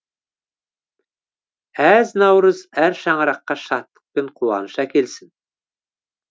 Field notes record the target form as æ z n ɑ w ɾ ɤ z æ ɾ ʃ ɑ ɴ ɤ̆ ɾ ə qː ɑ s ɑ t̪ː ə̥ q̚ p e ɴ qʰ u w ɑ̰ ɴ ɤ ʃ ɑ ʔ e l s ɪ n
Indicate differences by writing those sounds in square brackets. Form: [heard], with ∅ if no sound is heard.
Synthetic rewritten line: æ z n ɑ w ɾ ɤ z æ ɾ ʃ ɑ ɴ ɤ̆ ɾ [ɑ] qː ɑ [ʃ] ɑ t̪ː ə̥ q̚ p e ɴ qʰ u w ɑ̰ [n] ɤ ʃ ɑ [k] e l s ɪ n